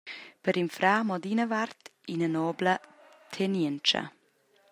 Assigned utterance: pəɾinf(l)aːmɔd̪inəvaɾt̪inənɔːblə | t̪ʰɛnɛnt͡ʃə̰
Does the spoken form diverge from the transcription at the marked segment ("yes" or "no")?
yes